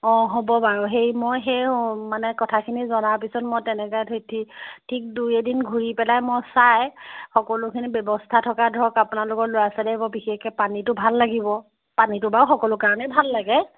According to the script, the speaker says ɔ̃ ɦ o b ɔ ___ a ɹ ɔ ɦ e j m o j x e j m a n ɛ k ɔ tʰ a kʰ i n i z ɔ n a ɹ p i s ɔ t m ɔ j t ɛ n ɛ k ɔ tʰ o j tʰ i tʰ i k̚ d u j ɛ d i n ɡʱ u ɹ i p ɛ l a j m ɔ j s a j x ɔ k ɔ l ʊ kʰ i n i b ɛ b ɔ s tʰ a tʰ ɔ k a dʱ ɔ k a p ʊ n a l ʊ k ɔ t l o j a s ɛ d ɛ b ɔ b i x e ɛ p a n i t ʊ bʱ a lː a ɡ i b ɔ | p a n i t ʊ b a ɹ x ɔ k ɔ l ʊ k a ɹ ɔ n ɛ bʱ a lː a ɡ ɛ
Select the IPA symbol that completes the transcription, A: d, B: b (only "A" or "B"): B